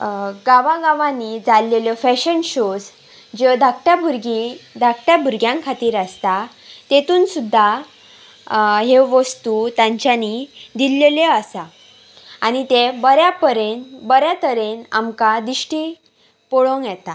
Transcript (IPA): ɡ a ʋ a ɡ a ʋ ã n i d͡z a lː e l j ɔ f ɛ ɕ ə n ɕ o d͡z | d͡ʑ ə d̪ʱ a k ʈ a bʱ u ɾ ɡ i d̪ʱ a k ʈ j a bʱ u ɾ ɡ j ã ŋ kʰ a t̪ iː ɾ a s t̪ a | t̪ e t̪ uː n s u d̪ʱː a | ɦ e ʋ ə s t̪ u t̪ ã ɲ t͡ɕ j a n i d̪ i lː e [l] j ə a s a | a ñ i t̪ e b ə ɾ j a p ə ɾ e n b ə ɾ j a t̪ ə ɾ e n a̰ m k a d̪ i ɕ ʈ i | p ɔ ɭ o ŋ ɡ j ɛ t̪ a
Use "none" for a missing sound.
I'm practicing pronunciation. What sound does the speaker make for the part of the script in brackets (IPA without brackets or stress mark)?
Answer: l